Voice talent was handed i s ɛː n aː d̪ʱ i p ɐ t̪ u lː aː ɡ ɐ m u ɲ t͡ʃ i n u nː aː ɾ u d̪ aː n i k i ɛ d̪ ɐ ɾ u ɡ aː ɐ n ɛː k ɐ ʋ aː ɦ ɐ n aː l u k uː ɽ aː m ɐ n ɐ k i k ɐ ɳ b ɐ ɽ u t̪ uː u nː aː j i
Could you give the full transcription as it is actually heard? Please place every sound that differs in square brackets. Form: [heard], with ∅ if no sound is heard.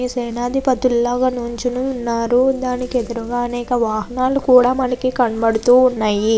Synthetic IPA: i s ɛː n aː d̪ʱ i p ɐ t̪ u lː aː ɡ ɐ [n] u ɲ t͡ʃ i n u nː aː ɾ u d̪ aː n i k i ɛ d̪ ɐ ɾ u ɡ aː ɐ n ɛː k ɐ ʋ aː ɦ ɐ n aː l u k uː ɽ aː m ɐ n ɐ k i k ɐ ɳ b ɐ ɽ u t̪ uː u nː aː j i